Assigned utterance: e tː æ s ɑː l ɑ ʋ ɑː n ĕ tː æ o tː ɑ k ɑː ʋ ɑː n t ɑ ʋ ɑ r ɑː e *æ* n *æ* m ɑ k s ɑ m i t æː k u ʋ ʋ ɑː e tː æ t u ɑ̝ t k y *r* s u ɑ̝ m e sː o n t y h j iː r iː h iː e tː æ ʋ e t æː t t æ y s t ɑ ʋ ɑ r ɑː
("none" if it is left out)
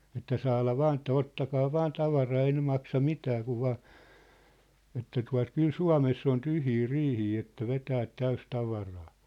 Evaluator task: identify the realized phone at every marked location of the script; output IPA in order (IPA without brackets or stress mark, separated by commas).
i, e, l